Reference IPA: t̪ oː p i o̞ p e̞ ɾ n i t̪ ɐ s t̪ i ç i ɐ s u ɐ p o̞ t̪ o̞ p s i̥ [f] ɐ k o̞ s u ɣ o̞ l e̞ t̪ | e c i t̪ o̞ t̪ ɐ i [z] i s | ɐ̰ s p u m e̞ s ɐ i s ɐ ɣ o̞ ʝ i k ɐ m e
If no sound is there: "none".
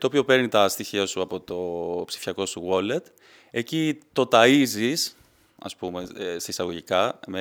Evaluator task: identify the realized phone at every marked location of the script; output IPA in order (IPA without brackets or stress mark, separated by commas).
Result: f, z